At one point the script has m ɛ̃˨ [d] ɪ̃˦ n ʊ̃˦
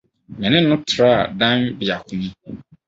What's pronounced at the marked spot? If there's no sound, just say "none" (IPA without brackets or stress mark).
n